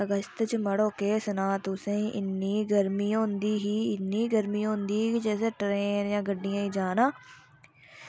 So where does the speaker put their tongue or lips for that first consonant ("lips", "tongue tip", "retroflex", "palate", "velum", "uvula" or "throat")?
velum